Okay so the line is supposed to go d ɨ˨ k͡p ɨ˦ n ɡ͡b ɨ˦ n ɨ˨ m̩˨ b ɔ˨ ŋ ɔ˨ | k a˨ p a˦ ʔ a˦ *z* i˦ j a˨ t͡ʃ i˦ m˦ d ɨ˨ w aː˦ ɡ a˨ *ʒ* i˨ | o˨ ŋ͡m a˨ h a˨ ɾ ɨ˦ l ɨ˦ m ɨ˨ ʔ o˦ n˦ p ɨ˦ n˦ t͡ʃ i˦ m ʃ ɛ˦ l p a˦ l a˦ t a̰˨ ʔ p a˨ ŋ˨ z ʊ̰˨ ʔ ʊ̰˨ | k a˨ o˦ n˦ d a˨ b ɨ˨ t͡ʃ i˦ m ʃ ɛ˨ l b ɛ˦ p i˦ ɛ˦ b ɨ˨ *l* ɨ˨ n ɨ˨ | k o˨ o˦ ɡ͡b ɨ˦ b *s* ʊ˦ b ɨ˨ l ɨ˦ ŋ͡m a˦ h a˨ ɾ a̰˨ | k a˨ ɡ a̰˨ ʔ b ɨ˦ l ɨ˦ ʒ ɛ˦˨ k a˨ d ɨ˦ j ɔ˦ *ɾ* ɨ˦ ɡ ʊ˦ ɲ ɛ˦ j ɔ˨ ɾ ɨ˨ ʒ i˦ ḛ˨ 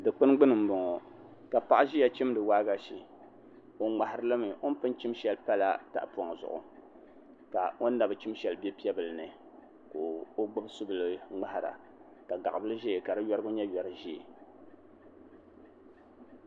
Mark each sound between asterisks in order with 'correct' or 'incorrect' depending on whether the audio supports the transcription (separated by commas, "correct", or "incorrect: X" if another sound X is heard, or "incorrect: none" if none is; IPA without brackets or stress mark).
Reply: incorrect: ʒ, incorrect: ʃ, correct, correct, correct